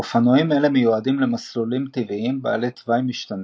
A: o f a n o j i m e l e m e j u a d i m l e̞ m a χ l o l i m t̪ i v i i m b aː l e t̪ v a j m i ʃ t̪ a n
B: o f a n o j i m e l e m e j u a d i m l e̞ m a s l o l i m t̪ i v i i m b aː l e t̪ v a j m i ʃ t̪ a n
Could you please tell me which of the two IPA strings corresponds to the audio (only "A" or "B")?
B